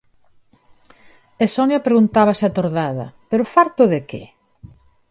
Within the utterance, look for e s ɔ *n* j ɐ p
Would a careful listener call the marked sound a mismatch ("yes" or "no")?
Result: no